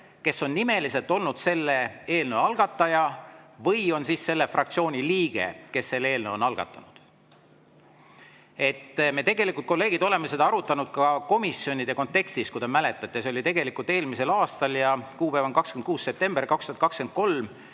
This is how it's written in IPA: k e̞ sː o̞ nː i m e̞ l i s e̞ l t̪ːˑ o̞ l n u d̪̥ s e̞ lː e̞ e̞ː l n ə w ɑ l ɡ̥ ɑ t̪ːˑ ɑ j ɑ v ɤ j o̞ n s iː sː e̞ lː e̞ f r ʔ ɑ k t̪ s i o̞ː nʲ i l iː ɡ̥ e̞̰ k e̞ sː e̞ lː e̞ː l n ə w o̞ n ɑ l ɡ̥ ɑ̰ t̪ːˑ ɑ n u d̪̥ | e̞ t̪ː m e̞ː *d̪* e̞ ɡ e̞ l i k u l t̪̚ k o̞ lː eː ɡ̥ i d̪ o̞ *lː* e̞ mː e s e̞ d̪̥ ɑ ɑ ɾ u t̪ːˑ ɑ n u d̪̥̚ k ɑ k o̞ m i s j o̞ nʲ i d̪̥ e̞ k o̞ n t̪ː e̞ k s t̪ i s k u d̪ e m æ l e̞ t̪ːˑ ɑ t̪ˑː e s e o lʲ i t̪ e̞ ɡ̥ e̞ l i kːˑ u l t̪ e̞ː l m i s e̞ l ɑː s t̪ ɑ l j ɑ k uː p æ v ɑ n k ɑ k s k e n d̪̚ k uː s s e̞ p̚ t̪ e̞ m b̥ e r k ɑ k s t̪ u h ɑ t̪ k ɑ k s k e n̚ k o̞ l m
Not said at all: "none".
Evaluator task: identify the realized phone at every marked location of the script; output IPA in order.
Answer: t̪, l

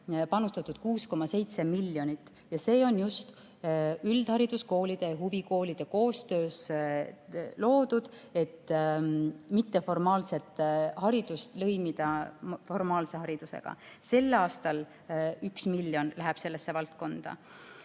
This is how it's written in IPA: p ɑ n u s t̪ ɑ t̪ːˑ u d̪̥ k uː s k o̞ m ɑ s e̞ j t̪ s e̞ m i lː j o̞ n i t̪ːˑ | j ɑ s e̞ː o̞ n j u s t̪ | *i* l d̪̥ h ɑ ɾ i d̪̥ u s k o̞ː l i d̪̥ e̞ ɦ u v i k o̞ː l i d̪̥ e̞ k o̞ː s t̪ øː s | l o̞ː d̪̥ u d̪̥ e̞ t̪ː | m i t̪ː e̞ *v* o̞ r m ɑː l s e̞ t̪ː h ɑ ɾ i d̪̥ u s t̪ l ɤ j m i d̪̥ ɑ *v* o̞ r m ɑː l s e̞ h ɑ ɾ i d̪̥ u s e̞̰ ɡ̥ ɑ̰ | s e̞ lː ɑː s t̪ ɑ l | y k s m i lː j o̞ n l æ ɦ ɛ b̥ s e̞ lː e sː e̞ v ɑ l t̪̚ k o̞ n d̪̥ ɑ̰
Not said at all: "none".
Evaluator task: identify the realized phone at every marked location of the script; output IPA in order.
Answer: y, f, f

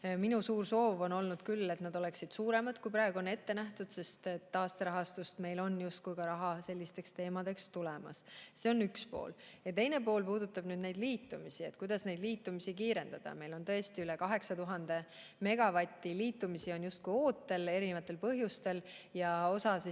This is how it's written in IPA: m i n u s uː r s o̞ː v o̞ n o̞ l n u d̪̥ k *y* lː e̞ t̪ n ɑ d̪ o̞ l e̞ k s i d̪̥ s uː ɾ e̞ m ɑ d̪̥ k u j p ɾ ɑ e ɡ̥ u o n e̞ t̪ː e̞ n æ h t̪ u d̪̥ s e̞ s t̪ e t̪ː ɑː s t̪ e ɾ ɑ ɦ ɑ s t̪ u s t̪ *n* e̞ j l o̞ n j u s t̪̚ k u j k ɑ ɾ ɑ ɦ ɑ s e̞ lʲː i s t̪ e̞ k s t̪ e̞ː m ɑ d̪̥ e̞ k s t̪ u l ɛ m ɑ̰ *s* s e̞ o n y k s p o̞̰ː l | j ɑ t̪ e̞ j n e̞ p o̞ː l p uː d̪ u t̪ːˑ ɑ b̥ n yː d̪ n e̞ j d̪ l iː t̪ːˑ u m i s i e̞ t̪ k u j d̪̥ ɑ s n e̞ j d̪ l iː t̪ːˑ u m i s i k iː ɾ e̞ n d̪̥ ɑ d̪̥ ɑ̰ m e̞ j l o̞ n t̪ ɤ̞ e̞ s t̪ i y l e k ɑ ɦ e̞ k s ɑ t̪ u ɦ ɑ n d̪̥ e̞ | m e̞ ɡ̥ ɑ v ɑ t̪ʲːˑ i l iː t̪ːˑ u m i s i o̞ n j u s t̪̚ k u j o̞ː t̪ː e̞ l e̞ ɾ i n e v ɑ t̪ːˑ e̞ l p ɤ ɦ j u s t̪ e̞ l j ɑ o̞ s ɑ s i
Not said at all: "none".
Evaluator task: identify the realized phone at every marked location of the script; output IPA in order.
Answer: y, m, s

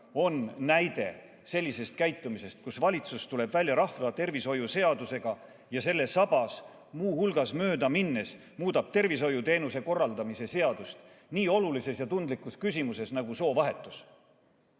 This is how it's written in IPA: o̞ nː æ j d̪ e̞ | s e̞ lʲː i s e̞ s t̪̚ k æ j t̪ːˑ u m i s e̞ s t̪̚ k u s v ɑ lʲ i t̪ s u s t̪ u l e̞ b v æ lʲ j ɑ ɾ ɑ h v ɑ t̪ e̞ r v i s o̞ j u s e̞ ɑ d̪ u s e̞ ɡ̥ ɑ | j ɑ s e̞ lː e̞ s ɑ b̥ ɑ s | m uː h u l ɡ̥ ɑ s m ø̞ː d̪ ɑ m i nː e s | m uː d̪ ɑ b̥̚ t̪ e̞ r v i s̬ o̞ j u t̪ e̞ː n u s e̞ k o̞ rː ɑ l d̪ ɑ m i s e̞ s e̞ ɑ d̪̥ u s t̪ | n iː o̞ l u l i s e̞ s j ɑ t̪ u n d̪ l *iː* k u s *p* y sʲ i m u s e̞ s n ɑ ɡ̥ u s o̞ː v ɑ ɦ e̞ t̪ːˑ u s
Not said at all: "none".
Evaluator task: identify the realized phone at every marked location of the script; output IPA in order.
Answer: i, k

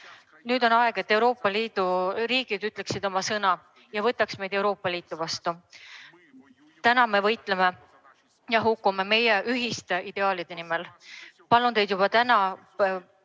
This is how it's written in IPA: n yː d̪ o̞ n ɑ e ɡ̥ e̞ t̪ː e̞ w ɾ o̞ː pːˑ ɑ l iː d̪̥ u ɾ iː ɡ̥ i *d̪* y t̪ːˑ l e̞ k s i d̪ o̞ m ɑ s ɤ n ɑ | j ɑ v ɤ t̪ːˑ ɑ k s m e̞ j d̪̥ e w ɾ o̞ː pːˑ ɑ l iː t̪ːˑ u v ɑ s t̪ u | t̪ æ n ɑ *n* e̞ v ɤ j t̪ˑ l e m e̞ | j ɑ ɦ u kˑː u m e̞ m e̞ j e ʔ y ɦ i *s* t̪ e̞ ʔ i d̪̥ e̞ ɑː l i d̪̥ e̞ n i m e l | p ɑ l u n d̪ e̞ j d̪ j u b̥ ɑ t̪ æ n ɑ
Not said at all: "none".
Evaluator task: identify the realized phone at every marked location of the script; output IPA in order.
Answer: d̪, m, s

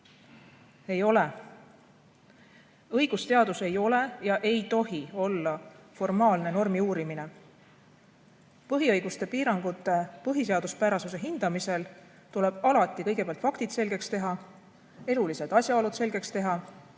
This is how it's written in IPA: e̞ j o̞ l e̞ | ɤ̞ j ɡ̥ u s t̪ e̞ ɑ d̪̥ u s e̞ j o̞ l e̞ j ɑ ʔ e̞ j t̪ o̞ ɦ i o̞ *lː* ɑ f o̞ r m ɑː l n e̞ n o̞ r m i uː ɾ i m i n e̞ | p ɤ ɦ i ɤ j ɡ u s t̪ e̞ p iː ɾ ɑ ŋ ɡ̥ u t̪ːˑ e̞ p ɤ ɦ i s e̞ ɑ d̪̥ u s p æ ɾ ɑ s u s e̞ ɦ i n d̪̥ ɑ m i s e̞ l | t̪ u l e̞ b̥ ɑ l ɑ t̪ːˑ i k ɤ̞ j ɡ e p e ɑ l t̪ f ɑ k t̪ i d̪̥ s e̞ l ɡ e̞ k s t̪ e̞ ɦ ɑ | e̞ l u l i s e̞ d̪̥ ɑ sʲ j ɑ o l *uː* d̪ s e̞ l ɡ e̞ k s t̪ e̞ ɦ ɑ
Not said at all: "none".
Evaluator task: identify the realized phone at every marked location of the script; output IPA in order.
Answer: lː, u

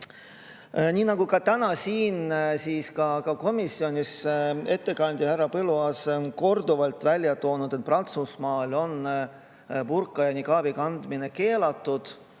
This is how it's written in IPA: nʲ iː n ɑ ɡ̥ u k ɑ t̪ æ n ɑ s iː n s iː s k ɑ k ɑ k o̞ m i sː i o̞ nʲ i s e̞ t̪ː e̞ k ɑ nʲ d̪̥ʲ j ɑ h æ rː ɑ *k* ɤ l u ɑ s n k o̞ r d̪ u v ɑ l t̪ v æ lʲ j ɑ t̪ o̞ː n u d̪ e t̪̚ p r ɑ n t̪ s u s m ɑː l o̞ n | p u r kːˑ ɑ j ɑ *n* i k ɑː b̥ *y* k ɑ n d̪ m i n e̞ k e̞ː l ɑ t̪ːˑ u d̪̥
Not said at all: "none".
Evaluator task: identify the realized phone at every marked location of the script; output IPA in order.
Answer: p, n, i

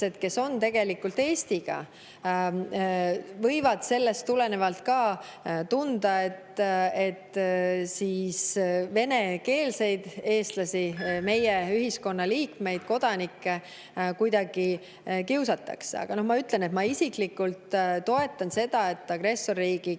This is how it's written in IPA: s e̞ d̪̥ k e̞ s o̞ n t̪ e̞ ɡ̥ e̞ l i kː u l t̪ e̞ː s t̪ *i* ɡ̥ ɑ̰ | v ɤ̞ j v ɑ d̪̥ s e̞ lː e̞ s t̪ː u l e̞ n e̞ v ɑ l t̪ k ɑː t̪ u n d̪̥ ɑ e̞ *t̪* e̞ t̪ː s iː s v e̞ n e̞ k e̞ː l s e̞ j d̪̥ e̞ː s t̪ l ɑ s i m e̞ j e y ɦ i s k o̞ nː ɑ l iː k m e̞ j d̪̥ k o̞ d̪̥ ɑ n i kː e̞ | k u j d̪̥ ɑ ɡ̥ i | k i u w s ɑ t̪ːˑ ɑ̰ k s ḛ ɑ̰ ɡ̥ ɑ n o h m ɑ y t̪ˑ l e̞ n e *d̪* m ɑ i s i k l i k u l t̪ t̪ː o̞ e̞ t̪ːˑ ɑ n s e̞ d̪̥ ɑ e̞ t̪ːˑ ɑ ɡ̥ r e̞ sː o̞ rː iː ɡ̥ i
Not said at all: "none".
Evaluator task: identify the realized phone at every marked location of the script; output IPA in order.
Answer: i, t̪, t̪

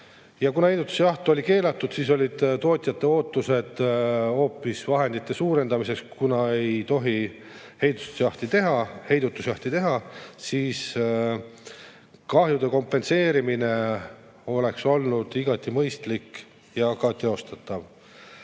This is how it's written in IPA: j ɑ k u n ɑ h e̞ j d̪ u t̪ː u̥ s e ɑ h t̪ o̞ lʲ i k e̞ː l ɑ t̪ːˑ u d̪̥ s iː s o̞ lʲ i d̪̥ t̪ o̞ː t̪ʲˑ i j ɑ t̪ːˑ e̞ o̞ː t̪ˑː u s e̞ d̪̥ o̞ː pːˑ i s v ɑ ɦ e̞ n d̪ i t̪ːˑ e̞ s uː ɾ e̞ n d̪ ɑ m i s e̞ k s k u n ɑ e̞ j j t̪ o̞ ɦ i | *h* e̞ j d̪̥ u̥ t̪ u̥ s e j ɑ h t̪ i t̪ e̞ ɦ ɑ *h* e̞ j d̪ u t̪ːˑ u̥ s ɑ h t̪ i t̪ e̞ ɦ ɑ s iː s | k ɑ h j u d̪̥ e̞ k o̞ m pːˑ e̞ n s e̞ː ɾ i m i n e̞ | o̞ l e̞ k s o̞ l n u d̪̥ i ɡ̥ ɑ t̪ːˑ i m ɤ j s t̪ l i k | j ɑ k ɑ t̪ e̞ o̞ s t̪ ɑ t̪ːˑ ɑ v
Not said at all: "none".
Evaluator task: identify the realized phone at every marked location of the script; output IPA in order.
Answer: h, h

